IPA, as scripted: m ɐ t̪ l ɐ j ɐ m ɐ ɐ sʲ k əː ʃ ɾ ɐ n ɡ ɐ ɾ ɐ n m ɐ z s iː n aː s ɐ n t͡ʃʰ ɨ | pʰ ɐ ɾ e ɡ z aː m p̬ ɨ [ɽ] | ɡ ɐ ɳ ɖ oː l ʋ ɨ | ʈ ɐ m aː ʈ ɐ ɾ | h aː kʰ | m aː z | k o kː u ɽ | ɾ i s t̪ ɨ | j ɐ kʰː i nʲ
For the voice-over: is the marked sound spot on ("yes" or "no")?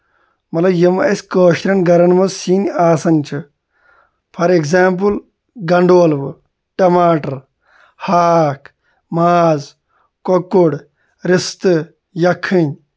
no